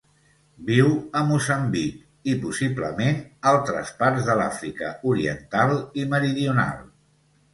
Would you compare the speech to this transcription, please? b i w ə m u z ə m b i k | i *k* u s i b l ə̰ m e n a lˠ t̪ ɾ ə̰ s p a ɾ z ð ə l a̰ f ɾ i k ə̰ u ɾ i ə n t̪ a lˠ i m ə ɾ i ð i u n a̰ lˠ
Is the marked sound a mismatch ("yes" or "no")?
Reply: yes